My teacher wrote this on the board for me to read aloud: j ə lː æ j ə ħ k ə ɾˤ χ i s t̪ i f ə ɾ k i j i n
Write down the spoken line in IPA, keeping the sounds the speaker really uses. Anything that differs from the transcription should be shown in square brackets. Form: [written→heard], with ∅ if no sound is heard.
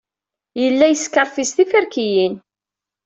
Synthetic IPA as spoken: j ə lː æ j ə [ħ→s] k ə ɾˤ [χ→f] i s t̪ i f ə ɾ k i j i n